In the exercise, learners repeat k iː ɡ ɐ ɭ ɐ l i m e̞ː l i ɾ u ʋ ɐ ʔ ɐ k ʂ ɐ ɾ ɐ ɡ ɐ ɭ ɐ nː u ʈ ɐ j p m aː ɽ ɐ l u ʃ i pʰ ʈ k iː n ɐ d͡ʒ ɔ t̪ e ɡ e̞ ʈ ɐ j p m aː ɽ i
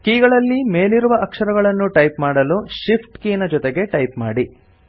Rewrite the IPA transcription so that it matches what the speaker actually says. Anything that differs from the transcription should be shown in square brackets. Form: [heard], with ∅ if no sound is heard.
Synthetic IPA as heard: k iː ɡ ɐ ɭ ɐ [lː] i m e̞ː l i ɾ u ʋ ɐ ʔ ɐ k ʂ ɐ ɾ ɐ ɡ ɐ ɭ ɐ nː u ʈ ɐ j p m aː ɽ ɐ l u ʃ i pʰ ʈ k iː n ɐ d͡ʒ ɔ t̪ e ɡ e̞ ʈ ɐ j p m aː ɽ i